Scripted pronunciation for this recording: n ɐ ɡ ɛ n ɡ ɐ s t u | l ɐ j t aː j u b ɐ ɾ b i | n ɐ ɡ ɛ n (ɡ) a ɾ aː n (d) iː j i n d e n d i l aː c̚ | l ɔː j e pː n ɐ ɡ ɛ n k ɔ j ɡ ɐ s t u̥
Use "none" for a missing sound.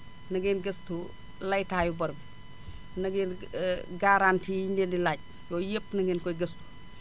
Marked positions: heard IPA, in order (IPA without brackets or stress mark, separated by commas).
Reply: ɡ, t